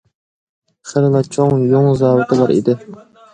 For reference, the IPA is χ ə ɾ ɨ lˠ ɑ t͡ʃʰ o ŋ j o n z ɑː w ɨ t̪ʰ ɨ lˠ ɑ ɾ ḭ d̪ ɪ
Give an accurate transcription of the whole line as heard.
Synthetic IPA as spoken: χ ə ɾ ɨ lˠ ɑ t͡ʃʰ o ŋ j o ŋ z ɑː w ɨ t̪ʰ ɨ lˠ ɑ ɾ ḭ d̪ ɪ